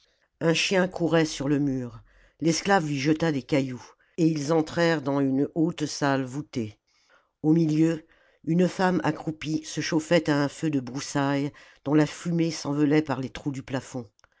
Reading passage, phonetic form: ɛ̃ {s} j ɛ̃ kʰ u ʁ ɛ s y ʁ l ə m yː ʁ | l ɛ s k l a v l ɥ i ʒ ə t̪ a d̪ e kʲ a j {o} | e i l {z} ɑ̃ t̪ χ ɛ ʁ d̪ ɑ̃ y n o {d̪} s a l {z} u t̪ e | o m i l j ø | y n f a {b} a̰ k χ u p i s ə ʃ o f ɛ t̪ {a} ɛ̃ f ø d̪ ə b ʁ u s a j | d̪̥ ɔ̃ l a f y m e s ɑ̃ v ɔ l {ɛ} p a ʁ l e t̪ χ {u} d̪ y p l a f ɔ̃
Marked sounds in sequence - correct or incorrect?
incorrect: ʃ, incorrect: u, correct, incorrect: t̪, incorrect: v, incorrect: m, correct, correct, correct

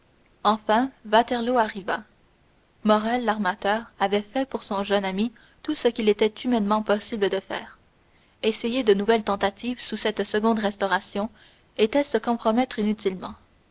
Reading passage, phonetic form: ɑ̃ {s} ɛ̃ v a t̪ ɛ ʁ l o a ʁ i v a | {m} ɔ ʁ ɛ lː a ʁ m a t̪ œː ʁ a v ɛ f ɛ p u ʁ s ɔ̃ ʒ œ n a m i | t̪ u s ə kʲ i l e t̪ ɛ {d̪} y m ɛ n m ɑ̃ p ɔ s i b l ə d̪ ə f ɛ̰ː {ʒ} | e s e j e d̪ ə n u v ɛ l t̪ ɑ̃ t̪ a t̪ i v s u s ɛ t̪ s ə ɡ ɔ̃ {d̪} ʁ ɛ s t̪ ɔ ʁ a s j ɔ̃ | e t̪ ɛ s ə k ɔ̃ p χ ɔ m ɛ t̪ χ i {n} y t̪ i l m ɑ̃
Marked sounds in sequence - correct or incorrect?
incorrect: f, correct, incorrect: t̪, incorrect: ʁ, correct, correct

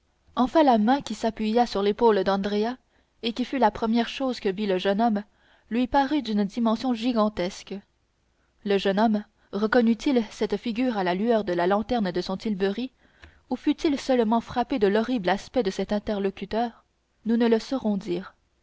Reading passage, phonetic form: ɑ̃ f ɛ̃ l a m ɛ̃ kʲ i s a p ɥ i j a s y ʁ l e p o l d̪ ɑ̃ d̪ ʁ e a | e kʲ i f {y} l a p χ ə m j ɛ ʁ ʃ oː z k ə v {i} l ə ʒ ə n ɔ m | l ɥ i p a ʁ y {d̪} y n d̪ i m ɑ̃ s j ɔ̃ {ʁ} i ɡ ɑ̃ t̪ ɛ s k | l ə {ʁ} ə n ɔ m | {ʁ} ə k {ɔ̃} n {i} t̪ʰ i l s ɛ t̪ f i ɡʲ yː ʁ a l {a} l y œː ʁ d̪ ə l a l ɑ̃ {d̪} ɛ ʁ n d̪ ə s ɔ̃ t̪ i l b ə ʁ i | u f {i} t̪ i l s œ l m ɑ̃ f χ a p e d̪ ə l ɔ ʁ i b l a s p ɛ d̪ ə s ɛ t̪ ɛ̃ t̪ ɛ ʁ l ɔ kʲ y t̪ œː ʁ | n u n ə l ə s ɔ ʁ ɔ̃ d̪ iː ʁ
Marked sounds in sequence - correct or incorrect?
correct, correct, correct, incorrect: ʒ, incorrect: ʒ, correct, incorrect: ɔ, incorrect: y, correct, incorrect: t̪, incorrect: y

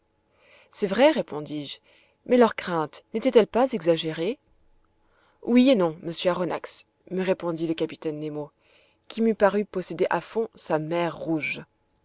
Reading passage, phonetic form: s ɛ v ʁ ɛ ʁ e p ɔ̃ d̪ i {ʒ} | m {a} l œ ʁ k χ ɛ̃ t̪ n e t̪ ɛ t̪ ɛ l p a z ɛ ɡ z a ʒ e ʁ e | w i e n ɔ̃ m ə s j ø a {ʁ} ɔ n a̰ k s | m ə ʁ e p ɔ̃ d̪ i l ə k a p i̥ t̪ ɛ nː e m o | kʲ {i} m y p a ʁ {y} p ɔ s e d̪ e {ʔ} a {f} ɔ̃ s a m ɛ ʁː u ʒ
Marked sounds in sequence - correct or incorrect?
correct, incorrect: ɛ, correct, correct, correct, correct, correct

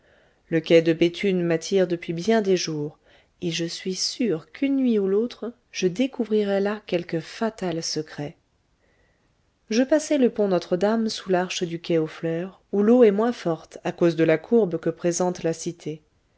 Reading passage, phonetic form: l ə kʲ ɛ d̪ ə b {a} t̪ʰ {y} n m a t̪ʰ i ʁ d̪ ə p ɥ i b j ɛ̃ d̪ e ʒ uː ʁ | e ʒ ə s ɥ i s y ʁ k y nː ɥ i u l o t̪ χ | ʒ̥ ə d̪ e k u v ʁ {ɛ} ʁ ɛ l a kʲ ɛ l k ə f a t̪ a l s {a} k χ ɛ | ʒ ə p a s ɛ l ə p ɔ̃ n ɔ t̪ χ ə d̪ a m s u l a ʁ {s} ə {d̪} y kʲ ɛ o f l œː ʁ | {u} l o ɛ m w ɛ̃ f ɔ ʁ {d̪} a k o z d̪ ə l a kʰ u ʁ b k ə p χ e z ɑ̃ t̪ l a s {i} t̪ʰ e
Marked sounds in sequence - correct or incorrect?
incorrect: e, correct, incorrect: i, incorrect: ə, incorrect: ʃ, correct, correct, incorrect: t̪, correct

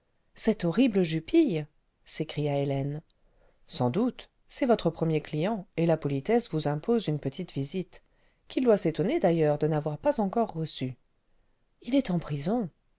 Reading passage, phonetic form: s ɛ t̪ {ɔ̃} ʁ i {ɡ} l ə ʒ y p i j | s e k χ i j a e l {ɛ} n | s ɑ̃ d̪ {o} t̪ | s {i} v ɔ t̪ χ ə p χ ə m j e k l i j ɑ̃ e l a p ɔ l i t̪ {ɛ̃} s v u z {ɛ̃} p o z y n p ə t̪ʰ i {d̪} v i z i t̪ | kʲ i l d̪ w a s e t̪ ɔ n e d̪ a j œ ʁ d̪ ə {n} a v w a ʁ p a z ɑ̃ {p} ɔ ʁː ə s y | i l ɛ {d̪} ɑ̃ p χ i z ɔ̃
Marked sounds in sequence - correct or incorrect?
incorrect: ɔ, incorrect: b, correct, incorrect: u, incorrect: ɛ, incorrect: ɛ, correct, incorrect: t̪, correct, incorrect: k, incorrect: t̪

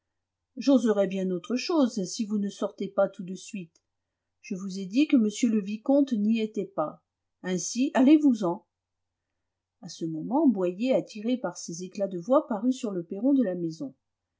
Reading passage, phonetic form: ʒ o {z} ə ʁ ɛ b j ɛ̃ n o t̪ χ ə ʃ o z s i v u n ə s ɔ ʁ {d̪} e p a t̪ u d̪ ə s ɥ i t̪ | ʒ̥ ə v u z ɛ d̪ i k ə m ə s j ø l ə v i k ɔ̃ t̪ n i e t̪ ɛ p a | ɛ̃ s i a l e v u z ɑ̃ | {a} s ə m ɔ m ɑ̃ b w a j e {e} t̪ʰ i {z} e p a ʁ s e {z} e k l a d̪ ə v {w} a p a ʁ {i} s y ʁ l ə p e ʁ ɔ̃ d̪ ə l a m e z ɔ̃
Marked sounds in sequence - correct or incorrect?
correct, incorrect: t̪, correct, incorrect: a, incorrect: ʁ, correct, correct, incorrect: y

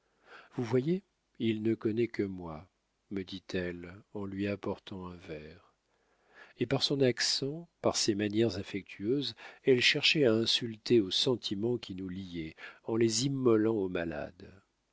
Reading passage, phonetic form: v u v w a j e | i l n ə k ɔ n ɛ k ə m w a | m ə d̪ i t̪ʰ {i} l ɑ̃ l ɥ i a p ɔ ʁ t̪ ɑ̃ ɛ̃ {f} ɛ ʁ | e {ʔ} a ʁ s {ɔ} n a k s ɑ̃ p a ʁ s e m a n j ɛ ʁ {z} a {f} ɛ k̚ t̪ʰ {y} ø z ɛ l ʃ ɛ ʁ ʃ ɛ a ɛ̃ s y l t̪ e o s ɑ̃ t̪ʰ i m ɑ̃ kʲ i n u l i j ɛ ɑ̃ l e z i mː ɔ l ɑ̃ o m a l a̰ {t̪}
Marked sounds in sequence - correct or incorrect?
incorrect: ɛ, incorrect: v, incorrect: p, incorrect: ɔ̃, correct, correct, correct, incorrect: d̪

